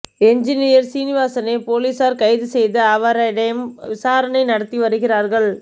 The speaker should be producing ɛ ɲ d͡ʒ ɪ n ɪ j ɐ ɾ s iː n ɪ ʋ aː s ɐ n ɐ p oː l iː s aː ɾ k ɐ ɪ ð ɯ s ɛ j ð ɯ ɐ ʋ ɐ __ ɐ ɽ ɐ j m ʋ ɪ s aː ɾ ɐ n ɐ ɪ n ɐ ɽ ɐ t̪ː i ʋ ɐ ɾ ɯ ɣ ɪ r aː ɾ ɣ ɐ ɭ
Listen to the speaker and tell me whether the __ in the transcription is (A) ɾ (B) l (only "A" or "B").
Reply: A